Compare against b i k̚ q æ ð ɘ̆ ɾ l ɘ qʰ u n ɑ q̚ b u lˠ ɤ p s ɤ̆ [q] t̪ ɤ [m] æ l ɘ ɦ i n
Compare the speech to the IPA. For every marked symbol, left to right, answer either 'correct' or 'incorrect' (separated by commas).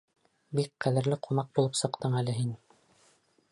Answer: correct, incorrect